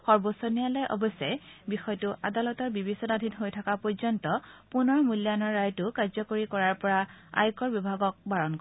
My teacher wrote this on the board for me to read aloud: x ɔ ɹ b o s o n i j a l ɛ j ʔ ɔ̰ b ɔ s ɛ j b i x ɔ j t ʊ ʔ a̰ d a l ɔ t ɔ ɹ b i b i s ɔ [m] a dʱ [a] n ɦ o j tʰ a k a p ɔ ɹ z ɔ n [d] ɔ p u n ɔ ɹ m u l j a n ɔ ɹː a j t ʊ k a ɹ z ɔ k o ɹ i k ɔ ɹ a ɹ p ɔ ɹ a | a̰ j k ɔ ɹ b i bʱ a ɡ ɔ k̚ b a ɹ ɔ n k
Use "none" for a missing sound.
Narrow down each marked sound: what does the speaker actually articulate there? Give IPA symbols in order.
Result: n, i, t

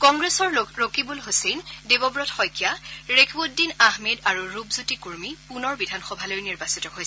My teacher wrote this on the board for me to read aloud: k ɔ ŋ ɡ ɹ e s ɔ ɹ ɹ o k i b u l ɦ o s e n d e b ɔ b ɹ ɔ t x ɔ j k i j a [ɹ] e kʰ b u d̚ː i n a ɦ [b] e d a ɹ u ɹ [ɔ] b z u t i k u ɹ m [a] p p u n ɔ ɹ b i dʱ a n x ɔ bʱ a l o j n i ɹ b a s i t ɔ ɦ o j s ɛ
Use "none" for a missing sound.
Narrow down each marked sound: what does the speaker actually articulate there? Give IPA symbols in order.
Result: ɹ, m, u, i

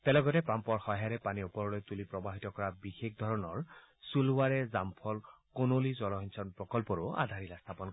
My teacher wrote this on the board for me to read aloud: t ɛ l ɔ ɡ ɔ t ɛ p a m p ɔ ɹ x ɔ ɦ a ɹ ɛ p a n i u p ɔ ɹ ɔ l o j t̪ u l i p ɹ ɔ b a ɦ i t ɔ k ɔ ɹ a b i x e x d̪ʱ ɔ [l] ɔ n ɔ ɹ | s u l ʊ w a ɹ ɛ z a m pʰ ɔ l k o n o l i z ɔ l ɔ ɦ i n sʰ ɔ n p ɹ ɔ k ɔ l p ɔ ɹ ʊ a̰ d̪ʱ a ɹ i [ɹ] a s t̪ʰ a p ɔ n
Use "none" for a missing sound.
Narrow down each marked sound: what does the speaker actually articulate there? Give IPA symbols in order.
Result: ɹ, l

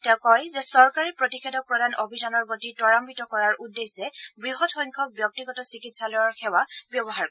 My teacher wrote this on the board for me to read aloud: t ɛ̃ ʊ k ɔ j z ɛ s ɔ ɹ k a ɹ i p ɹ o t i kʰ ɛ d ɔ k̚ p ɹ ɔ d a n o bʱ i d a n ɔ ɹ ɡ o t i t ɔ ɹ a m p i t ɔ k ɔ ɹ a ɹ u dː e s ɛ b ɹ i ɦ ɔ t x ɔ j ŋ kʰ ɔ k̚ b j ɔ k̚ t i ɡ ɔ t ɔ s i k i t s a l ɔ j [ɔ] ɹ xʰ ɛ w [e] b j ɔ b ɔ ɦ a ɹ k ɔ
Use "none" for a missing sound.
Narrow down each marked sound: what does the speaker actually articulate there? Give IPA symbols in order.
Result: ɔ, a

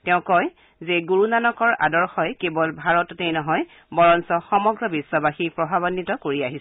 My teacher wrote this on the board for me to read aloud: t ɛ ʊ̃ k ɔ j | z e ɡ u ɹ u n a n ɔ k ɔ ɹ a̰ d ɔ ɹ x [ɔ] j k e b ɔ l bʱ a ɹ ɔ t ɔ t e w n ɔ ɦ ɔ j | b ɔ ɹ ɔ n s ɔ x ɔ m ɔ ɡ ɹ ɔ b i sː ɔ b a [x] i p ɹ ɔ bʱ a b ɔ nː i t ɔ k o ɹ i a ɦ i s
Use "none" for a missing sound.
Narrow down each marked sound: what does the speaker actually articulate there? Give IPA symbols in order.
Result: ɔ, x

